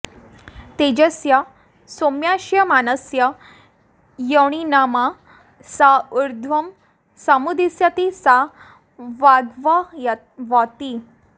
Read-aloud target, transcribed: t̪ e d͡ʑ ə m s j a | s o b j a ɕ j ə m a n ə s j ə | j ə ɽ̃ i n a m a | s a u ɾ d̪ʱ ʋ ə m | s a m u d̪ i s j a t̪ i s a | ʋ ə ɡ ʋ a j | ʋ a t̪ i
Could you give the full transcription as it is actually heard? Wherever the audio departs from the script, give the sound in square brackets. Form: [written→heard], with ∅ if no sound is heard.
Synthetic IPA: t̪ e d͡ʑ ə [m→∅] s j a | s o [b→m] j a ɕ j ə m a n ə s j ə | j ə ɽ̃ i n a m a | s a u ɾ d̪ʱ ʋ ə m | s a m u d̪ i s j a t̪ i s a | ʋ [ə→a] ɡ ʋ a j | ʋ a t̪ i